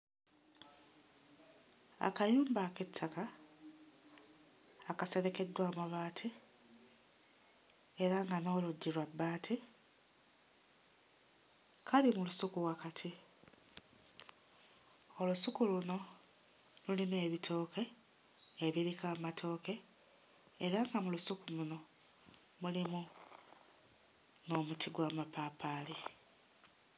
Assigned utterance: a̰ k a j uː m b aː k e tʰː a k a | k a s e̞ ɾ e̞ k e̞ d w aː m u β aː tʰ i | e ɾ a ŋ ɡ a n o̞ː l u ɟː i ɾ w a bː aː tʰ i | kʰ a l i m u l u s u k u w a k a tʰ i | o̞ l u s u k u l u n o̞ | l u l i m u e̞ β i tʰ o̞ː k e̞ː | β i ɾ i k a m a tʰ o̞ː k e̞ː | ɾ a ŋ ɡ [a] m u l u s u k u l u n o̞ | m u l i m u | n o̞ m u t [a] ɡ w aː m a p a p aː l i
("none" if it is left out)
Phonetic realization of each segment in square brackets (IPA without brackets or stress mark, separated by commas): a, i